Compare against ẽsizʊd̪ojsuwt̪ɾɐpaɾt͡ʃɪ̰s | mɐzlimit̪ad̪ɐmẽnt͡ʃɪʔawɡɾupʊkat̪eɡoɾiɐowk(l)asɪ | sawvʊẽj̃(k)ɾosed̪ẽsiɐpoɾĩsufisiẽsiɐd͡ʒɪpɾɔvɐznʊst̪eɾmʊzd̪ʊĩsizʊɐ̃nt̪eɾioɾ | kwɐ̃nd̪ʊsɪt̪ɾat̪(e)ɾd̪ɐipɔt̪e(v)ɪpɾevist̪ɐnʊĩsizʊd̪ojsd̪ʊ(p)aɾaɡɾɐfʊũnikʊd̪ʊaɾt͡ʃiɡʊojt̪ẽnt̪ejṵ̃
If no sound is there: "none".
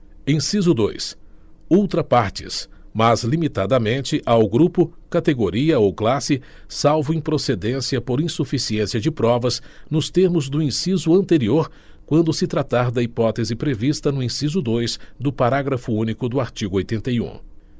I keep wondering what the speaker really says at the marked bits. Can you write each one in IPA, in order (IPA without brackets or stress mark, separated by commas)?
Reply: l, p, a, z, p